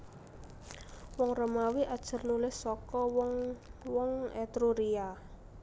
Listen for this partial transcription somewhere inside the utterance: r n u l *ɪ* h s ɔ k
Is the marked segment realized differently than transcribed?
no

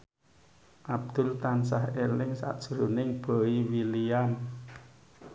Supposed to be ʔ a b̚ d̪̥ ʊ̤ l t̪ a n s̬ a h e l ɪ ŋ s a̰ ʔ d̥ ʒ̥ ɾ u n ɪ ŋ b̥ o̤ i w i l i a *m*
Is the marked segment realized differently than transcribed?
yes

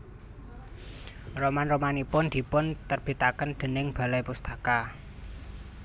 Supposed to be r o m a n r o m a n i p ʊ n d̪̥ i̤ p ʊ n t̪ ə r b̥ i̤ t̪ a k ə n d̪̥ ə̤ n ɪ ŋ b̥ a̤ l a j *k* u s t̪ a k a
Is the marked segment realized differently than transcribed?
yes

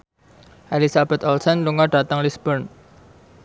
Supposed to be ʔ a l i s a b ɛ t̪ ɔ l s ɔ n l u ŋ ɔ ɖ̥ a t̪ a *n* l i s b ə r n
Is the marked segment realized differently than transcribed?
yes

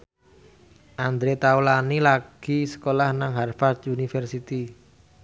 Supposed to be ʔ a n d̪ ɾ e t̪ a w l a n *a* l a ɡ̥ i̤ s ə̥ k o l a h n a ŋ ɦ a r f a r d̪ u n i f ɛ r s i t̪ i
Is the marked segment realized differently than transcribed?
yes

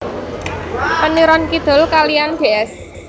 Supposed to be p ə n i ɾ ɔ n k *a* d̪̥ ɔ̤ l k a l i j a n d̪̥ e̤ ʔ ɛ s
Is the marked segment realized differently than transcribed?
yes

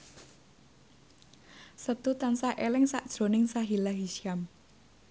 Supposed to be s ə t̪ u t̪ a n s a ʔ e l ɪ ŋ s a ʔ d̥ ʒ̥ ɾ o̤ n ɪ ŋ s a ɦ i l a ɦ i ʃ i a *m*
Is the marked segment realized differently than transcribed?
no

